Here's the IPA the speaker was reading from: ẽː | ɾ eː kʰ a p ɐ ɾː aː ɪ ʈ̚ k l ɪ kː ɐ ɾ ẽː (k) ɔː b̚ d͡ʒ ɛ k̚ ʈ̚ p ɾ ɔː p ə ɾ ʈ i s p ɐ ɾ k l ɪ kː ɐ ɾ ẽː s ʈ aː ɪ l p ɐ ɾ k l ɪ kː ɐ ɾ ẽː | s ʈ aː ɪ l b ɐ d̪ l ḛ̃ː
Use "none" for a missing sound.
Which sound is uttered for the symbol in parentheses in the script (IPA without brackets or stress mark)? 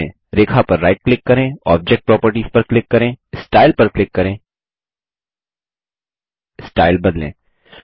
none